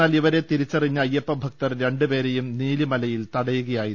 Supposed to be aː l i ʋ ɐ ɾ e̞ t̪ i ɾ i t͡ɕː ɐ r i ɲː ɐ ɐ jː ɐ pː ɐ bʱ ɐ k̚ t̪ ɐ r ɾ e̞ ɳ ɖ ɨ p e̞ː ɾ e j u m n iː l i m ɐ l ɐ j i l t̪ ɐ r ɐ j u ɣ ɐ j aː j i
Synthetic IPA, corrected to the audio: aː l i ʋ ɐ ɾ e̞ t̪ i ɾ i t͡ɕː ɐ r i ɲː ɐ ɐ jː ɐ pː ɐ bʱ ɐ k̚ t̪ ɐ r ɾ e̞ ɳ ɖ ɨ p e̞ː ɾ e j u m n iː l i m ɐ l ɐ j i l t̪ ɐ ɽ ɐ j u ɣ ɐ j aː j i